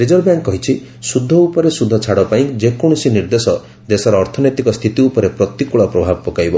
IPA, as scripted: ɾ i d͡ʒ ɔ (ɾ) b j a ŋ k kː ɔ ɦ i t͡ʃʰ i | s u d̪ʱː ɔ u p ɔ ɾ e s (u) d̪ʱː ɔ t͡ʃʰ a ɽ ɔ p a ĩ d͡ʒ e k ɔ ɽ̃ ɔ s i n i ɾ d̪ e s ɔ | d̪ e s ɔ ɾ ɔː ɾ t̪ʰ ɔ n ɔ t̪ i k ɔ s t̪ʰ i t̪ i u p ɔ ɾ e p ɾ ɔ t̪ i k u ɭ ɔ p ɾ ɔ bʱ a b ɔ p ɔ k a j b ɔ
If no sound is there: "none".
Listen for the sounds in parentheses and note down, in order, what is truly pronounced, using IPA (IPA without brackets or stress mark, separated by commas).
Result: ɾ, u